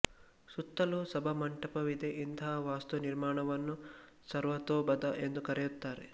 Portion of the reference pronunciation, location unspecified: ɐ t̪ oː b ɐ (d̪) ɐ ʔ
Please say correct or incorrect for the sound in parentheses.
correct